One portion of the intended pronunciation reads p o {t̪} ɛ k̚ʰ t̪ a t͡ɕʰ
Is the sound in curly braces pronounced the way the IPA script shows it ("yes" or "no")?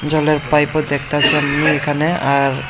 no